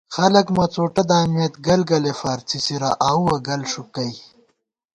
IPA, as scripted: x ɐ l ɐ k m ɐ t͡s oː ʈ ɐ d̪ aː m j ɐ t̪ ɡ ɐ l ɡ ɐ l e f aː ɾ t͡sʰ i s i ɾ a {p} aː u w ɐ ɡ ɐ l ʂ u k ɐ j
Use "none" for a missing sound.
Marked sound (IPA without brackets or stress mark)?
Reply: ʔ